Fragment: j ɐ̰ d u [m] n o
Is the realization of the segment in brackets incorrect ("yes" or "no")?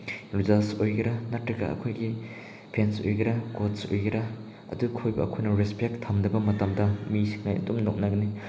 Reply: no